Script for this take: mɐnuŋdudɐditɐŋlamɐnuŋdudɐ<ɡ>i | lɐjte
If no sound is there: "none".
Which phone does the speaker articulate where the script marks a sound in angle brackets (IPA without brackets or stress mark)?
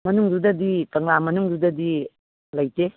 d